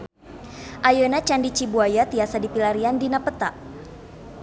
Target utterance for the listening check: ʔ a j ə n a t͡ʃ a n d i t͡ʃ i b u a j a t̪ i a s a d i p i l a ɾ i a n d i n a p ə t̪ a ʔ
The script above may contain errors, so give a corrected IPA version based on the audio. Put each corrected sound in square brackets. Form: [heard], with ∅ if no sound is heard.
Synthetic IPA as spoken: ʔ a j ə n a t͡ʃ a n d i t͡ʃ i b u a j a t̪ i a s a d i p i l a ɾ i a n d i n a p ə t̪ a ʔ